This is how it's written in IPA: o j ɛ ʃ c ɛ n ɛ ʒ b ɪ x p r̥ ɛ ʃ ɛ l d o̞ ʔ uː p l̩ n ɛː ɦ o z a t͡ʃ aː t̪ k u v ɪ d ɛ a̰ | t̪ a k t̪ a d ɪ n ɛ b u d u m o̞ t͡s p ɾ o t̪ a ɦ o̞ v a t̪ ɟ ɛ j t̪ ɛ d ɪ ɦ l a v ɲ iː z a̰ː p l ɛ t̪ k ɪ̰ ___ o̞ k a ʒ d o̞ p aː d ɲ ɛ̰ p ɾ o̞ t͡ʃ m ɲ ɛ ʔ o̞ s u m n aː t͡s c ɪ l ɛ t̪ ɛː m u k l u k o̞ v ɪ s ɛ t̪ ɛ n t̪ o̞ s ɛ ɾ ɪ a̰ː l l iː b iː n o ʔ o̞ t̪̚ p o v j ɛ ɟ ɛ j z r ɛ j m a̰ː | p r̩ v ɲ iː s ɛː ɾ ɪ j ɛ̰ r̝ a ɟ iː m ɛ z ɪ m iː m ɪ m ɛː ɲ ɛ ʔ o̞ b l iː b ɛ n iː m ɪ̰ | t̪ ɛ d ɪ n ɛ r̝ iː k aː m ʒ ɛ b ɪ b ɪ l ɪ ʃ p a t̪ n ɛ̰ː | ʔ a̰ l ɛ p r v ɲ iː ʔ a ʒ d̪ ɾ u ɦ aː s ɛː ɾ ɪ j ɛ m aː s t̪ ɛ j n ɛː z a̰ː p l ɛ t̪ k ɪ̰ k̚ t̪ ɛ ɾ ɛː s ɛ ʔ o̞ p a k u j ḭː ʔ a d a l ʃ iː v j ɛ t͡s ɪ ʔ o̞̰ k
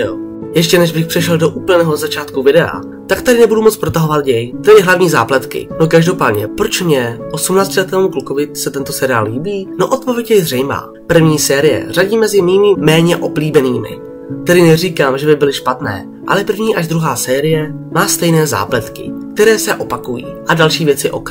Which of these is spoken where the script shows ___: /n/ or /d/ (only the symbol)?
n